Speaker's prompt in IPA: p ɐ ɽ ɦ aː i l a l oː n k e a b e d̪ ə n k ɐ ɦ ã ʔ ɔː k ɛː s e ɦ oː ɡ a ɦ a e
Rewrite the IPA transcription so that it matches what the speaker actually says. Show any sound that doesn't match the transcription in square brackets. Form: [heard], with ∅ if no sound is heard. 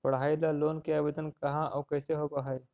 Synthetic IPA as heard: p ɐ ɽ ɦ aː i l a l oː n k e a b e d̪ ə n k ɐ ɦ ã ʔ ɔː k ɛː s e ɦ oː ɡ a ɦ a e